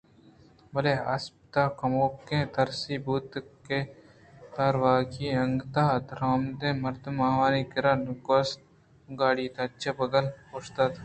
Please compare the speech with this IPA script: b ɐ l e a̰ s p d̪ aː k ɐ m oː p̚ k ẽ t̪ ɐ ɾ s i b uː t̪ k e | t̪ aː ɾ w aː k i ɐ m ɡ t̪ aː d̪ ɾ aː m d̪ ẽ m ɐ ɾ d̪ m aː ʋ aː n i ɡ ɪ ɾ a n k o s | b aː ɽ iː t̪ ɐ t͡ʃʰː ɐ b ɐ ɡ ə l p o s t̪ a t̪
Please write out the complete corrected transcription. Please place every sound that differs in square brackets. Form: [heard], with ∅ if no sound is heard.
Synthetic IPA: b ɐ l e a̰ s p [t̪] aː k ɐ m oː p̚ k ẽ t̪ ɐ ɾ s i b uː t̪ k e | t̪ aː ɾ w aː k i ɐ [ŋ] ɡ t̪ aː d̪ ɾ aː m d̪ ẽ m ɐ ɾ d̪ m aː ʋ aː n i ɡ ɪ ɾ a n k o s | [ɡ] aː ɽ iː t̪ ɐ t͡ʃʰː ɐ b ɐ ɡ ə l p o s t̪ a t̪